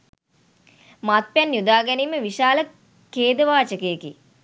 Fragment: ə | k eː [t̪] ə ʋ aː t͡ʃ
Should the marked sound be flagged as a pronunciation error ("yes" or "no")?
yes